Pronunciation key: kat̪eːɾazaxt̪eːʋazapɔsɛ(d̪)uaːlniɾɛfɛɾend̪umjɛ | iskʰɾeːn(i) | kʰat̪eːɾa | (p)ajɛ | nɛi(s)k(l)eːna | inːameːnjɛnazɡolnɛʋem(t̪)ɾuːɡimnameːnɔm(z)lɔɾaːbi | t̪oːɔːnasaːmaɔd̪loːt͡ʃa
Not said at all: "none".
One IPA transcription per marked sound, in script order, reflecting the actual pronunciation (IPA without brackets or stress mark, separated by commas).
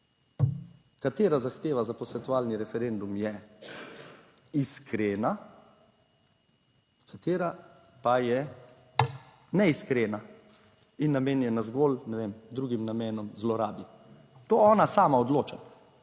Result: t̪, a, p, s, ɾ, d̪, z